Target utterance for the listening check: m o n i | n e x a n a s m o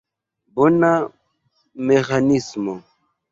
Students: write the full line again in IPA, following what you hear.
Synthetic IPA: b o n a | m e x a n i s m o